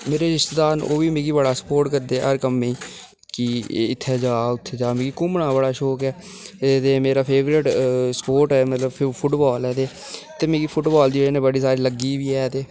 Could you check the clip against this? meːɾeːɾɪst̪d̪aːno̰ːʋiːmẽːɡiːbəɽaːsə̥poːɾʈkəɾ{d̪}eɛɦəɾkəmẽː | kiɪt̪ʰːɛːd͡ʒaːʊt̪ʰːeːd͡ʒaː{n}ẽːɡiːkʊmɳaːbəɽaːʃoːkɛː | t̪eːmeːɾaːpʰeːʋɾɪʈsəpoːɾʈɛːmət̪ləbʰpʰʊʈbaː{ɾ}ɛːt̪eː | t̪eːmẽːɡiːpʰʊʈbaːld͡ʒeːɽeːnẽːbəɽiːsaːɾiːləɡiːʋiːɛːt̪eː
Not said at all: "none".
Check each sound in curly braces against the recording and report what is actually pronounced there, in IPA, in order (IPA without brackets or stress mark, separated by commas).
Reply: d̪, m, l